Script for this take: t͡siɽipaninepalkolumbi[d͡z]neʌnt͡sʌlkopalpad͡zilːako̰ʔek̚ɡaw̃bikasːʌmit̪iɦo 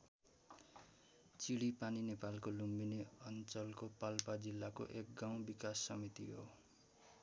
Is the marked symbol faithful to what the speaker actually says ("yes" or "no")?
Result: no